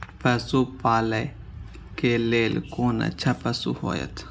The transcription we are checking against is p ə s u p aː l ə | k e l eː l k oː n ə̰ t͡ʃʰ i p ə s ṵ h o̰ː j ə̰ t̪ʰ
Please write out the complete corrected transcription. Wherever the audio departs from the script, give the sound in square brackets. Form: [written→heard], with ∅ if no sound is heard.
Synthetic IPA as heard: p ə s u p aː l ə | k e l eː l k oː n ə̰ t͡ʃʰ [i→a] p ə s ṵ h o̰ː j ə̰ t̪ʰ